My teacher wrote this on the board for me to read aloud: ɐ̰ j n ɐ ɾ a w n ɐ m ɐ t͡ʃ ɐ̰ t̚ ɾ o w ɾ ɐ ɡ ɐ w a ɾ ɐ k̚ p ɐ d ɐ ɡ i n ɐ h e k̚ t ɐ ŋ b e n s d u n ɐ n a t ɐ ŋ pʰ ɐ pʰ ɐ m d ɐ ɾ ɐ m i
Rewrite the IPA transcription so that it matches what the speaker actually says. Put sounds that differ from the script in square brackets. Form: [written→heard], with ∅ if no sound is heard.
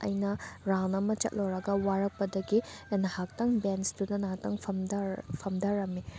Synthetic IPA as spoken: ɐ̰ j n ɐ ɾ a w n ɐ m ɐ t͡ʃ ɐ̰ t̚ [ɾ→l] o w ɾ ɐ ɡ ɐ w a ɾ ɐ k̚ p ɐ d ɐ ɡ i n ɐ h [e→a] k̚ t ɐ ŋ b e n s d u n ɐ n a t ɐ ŋ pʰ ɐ pʰ ɐ m d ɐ ɾ ɐ m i

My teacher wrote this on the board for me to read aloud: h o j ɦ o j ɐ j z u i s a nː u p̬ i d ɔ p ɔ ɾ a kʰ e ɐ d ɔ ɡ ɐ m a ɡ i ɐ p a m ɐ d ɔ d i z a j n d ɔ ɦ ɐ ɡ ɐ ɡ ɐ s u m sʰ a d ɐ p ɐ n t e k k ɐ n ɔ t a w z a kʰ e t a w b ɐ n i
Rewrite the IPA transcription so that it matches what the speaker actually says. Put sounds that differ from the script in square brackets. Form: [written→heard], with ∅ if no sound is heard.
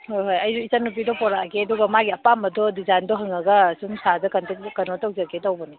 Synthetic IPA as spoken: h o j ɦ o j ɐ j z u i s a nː u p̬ i d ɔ p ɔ ɾ a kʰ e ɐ d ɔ ɡ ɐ m a ɡ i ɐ p a m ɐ d ɔ d i z a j n d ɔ ɦ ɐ [ɡ→ŋ] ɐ ɡ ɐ s u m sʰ a d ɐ [p→k] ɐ n t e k k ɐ n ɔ t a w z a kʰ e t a w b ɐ n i

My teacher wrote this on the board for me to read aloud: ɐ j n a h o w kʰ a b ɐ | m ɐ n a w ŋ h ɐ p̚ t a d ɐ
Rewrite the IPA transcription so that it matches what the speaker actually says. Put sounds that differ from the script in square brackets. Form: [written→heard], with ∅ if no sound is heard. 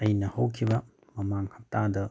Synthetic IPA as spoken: ɐ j n [a→ɐ] h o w kʰ [a→i] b ɐ | m ɐ [n→m] a [w→∅] ŋ h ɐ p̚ t a d ɐ

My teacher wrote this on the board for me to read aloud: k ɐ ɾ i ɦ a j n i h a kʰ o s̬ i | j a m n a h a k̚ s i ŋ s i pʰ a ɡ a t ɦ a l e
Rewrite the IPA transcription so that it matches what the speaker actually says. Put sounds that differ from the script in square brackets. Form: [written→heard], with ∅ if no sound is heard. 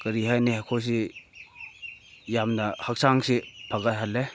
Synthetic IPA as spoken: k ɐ ɾ i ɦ a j n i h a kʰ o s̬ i | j a m n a h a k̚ s [i→a] ŋ s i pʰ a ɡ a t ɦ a l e

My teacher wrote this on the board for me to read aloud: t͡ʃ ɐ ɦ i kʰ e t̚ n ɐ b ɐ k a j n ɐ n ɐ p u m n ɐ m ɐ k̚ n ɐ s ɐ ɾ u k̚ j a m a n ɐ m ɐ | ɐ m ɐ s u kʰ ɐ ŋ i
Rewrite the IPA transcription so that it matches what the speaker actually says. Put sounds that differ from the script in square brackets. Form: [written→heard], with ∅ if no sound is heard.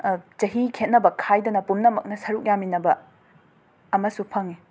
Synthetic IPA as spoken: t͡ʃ ɐ ɦ i kʰ e t̚ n ɐ b ɐ [k→kʰ] a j [n→d] ɐ n ɐ p u m n ɐ m ɐ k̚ n ɐ s ɐ ɾ u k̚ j a m [a→i] n ɐ [m→b] ɐ | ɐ m ɐ s u [kʰ→pʰ] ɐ ŋ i

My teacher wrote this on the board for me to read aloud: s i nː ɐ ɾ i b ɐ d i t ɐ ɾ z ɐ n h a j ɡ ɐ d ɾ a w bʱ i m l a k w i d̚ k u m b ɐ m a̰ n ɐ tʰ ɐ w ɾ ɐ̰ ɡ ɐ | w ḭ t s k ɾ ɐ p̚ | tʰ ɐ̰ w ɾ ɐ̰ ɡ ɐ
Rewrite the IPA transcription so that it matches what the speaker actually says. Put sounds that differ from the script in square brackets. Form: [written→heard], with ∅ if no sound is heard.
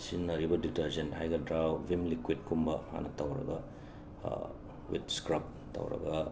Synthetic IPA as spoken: s i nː ɐ ɾ i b ɐ d i t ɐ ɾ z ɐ n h a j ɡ ɐ d ɾ a w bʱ i m l [a→i] k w i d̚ k u m b ɐ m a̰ n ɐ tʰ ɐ w ɾ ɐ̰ ɡ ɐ | w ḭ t s k ɾ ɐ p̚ | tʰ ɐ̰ w ɾ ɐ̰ ɡ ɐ

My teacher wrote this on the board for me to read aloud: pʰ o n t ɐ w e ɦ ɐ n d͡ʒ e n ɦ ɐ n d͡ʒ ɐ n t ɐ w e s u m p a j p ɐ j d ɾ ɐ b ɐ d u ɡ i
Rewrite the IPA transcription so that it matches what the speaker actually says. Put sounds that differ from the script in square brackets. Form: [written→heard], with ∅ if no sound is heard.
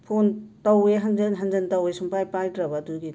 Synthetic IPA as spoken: pʰ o n t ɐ w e ɦ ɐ n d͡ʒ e n ɦ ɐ n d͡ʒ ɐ n t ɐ w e s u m p a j p [ɐ→a] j d ɾ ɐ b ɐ d u ɡ i

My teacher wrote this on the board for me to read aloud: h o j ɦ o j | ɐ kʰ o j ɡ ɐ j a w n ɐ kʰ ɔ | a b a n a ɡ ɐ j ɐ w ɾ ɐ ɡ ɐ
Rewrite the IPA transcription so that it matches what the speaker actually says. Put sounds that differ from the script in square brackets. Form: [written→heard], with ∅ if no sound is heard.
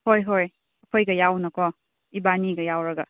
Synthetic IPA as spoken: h o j ɦ o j | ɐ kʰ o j ɡ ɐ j a w n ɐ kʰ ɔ | [a→i] b a n [a→i] ɡ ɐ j [ɐ→a] w ɾ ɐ ɡ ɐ

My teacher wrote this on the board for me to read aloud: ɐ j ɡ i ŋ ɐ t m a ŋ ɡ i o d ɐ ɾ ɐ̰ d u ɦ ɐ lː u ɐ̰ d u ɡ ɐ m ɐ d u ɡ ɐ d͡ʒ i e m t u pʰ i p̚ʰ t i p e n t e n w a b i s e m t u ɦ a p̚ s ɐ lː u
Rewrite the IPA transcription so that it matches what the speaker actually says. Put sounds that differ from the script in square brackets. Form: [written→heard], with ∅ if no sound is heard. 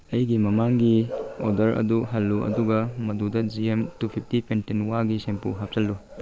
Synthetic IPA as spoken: ɐ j ɡ i [ŋ→m] ɐ [t→∅] m a ŋ ɡ i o d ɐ ɾ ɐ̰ d u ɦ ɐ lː u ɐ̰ d u ɡ ɐ m ɐ d u [ɡ→d] ɐ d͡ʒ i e m t u pʰ i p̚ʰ t i p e n t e n w a [b→ɡ] i s e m [t→p] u ɦ a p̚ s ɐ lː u

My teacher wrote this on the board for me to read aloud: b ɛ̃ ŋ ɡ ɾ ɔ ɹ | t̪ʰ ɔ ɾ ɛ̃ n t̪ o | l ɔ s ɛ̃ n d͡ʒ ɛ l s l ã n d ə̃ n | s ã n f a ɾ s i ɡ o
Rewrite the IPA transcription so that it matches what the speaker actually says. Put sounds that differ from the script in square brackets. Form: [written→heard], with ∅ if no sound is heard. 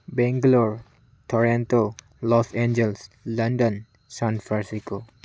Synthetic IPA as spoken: b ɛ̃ ŋ ɡ [ɾ→l] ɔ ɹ | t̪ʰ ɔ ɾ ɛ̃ n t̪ o | l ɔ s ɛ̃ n d͡ʒ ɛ l s l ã n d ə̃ n | s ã n f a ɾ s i [ɡ→k] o

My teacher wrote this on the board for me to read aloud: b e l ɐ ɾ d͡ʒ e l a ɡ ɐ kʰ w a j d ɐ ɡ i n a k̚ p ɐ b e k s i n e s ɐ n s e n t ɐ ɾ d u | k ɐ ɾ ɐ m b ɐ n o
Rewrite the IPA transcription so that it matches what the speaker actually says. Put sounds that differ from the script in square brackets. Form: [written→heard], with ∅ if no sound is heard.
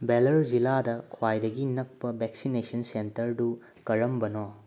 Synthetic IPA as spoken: b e l ɐ ɾ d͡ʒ [e→i] l a [ɡ→d] ɐ kʰ w a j d ɐ ɡ i n [a→ɐ] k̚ p ɐ b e k s i n e s ɐ n s e n t ɐ ɾ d u | k ɐ ɾ ɐ m b ɐ n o

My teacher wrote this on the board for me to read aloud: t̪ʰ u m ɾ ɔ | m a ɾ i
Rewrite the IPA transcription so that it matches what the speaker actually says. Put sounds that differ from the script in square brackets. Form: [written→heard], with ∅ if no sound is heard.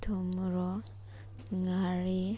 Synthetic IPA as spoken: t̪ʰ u m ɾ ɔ | [m→ŋ] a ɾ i

